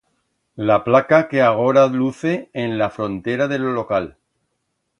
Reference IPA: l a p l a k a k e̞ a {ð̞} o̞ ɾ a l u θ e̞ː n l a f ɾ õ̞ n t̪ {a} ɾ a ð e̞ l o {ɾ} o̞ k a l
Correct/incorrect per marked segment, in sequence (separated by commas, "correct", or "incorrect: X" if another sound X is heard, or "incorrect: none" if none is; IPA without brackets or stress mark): incorrect: ɣ̞, incorrect: e, incorrect: l